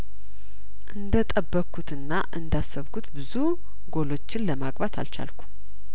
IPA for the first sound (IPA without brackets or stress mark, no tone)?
ʔ